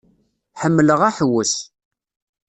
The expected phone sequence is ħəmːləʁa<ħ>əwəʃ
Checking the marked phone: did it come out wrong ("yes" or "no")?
no